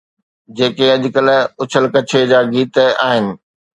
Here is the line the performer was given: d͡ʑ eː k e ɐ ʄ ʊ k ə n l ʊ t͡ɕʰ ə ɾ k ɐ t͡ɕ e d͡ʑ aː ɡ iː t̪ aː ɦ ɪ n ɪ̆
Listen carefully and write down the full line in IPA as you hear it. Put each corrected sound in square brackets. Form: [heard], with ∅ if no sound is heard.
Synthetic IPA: d͡ʑ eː k e ɐ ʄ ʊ k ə [∅] l ʊ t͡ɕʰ ə [l] k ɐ [t͡ɕʰ] e d͡ʑ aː ɡ iː t̪ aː ɦ ɪ n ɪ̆